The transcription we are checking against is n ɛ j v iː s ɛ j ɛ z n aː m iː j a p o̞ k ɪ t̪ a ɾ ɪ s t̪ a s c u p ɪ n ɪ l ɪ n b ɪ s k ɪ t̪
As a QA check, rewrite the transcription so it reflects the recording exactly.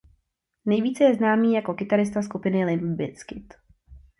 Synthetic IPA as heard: n ɛ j v iː t͡s ɛ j ɛ z n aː m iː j a k o̞ k ɪ t̪ a ɾ ɪ s t̪ a s k u p ɪ n ɪ l ɪ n b ɪ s k ɪ t̪